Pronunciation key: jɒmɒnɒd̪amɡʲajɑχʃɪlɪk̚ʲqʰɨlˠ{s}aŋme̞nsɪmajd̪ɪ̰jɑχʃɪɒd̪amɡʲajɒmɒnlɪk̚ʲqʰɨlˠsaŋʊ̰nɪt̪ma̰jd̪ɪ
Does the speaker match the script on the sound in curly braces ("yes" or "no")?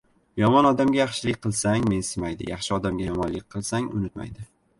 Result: yes